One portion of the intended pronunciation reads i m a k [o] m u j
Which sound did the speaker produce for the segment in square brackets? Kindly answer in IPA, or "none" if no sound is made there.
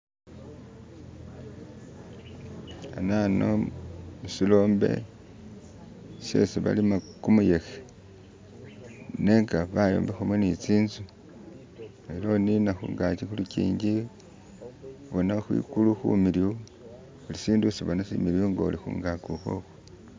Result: u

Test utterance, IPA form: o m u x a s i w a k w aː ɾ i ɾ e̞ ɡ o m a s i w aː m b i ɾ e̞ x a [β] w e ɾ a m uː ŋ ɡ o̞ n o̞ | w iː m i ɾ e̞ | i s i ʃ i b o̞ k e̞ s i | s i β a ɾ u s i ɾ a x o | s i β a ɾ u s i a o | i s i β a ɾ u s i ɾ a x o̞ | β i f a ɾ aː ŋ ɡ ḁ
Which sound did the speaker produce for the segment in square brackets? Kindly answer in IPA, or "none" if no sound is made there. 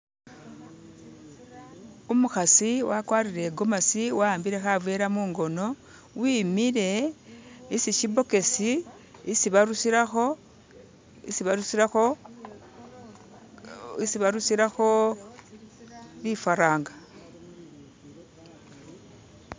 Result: v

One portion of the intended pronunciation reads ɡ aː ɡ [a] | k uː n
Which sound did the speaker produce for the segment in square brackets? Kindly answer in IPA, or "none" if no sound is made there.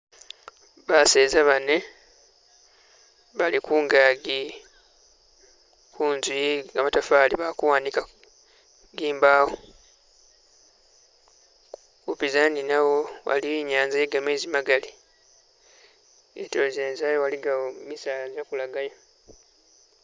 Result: i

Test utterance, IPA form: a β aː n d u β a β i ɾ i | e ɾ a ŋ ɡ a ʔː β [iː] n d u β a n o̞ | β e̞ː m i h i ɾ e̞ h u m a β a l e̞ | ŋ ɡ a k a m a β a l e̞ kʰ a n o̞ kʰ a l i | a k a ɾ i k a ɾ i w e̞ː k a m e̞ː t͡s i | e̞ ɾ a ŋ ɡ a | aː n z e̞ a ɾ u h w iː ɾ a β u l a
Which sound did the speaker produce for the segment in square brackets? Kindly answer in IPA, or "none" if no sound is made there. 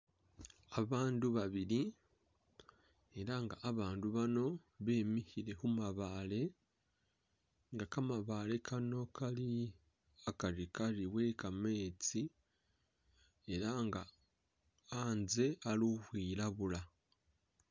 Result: aː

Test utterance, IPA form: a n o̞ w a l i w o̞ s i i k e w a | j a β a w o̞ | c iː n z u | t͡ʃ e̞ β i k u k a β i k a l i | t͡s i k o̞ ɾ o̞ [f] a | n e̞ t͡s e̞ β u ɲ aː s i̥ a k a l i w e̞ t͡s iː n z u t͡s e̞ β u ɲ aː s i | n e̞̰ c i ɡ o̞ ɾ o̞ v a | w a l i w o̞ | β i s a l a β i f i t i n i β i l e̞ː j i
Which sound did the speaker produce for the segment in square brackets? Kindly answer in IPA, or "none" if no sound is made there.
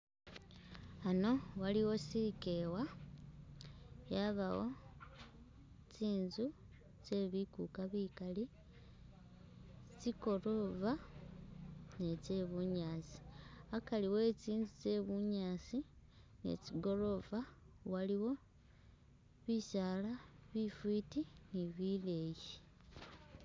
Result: v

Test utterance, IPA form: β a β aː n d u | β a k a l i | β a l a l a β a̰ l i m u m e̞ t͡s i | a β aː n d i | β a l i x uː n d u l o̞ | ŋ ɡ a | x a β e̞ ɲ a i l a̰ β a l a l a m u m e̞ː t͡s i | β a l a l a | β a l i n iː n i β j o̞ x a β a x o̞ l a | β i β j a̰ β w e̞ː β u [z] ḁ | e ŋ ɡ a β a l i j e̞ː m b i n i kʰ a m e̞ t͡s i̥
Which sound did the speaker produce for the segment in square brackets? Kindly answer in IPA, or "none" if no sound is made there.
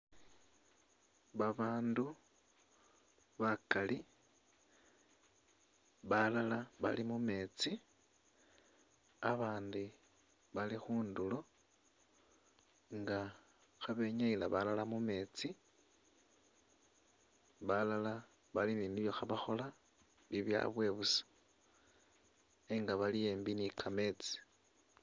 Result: s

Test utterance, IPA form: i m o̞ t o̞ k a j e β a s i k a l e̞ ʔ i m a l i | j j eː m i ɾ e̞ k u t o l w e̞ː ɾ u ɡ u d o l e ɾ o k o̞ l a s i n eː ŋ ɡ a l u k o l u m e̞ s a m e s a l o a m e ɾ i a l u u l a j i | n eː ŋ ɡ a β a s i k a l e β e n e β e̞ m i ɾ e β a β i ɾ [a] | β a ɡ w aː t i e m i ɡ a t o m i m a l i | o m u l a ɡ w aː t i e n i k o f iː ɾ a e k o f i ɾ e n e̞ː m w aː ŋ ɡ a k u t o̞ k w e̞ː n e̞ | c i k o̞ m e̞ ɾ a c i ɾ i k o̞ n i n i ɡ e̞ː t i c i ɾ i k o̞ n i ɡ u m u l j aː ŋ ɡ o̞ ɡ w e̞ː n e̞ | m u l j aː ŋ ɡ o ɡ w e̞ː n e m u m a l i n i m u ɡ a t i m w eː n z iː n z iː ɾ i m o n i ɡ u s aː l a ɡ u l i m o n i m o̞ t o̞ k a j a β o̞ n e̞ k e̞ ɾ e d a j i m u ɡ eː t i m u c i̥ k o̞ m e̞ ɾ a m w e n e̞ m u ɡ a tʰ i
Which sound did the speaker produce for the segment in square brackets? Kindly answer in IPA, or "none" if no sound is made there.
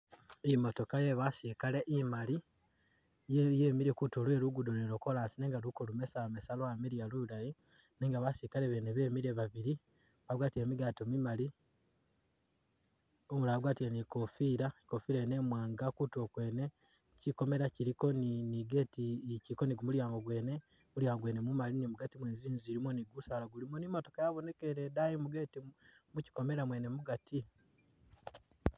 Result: i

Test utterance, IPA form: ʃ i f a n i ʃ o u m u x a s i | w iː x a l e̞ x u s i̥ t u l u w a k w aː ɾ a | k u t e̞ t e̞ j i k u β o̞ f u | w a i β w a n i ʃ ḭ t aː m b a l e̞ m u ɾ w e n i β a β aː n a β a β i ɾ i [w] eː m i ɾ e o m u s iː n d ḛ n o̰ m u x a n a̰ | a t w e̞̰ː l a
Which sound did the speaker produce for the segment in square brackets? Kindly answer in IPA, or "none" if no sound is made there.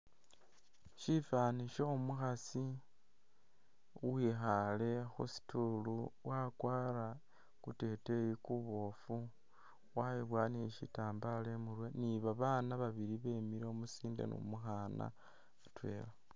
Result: β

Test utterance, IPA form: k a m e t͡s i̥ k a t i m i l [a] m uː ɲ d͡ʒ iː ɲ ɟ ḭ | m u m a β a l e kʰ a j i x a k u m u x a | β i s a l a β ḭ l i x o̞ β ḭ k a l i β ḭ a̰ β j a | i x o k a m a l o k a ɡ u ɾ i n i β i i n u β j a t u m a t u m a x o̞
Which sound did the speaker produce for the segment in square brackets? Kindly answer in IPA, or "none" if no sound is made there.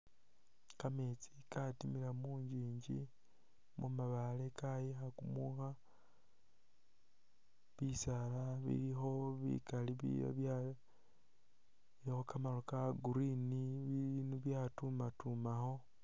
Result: a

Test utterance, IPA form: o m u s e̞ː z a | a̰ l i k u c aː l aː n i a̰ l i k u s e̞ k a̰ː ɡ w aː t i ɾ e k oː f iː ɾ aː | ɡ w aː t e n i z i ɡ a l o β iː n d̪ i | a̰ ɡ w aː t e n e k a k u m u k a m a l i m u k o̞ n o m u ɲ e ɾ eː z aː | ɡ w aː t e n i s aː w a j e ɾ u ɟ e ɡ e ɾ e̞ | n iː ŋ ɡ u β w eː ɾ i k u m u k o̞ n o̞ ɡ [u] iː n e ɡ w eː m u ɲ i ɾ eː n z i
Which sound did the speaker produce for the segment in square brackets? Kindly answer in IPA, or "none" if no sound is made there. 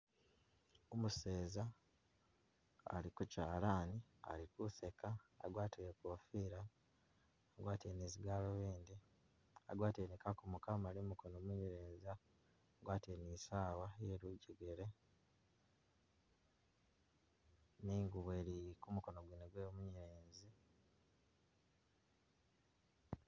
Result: w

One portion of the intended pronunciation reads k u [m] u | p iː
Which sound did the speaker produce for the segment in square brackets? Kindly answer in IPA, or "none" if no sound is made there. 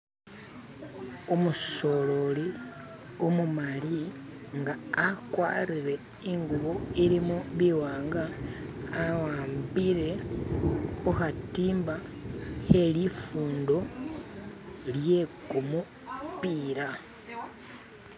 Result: m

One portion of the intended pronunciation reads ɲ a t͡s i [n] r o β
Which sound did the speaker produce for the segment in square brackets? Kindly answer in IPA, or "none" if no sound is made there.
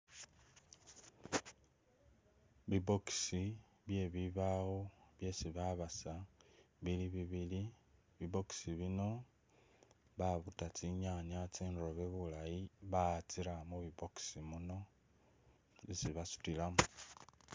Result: n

